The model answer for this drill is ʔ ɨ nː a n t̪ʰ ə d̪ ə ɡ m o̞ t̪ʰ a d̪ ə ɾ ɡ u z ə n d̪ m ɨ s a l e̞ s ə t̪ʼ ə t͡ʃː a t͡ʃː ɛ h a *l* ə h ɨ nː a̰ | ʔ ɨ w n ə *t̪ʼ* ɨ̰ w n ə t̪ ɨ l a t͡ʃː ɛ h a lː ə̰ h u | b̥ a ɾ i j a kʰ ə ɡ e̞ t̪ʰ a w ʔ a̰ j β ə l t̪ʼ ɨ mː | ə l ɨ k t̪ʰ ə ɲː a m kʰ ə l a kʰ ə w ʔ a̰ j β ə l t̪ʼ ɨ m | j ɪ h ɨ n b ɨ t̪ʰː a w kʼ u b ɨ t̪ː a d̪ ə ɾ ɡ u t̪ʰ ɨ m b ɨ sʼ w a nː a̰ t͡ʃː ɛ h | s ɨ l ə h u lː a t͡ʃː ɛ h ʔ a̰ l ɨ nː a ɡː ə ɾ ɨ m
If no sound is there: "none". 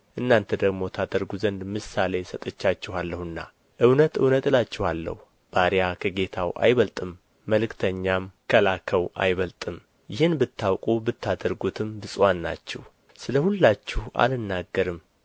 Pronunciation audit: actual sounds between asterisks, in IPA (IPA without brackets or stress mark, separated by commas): lː, t̪